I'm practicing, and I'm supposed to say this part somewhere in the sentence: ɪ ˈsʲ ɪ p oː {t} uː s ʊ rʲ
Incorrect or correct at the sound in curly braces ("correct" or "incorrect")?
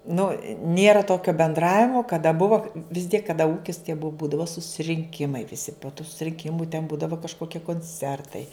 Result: correct